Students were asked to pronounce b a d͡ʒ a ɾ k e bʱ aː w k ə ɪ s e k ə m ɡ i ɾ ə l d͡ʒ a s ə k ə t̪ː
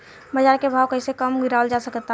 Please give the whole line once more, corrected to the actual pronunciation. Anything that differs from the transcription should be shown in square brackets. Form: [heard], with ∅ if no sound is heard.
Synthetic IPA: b [ə] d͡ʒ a ɾ k e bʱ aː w k ə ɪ s e k ə m ɡ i ɾ [a] l d͡ʒ a s ə k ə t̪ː